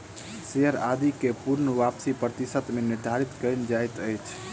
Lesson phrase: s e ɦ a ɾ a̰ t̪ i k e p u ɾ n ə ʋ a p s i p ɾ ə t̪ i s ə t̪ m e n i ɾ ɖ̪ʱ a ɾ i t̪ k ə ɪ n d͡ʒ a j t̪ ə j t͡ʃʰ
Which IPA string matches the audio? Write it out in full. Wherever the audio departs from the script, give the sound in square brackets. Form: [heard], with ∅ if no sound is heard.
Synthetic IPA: s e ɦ [ə] ɾ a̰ [d̪] i k e p u ɾ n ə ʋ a p s i p ɾ ə t̪ i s ə t̪ m e n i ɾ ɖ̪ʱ a ɾ i t̪ k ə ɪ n d͡ʒ a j t̪ ə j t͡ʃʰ